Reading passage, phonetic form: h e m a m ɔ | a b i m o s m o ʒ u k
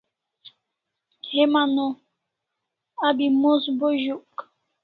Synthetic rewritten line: h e m a n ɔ | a b i m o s b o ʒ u k